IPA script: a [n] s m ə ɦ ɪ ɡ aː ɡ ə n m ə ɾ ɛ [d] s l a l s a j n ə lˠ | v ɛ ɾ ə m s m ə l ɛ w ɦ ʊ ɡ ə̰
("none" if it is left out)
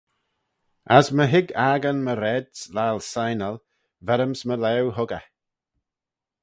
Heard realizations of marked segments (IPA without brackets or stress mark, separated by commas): none, d